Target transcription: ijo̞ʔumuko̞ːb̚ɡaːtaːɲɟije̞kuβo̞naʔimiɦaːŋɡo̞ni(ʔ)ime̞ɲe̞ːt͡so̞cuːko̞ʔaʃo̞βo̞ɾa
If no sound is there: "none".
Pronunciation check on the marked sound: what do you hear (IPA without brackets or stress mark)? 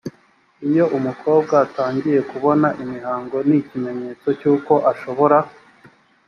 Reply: c